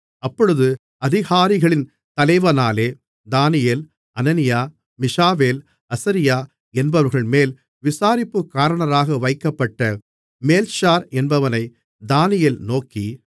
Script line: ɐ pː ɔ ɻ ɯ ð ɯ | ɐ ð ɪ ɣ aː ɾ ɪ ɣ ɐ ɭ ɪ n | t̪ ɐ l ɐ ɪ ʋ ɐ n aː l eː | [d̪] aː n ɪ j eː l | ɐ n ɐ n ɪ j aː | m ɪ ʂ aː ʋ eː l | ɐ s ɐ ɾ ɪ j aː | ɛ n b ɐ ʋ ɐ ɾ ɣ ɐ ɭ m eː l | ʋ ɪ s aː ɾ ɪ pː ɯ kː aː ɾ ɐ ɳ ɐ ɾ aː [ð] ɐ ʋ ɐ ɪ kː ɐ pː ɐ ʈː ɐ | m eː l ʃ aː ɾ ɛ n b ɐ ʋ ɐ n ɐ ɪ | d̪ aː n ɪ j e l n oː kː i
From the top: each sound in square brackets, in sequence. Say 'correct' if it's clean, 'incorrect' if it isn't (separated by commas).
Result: correct, incorrect